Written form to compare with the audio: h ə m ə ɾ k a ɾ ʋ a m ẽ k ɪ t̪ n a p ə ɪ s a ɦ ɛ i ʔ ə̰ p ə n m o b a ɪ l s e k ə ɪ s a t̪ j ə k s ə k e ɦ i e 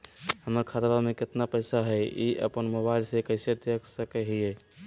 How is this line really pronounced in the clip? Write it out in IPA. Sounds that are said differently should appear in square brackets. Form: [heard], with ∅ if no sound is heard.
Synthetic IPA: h ə m ə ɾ [kʰ] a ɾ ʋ a m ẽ k ɪ t̪ n a p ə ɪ s a ɦ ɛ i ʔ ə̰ p ə n m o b a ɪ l s e k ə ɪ s [e] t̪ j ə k s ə k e ɦ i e